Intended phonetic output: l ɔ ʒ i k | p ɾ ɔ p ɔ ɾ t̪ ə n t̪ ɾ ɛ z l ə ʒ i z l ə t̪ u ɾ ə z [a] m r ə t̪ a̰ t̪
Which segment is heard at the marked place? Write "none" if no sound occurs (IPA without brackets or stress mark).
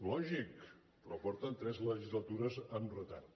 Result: ə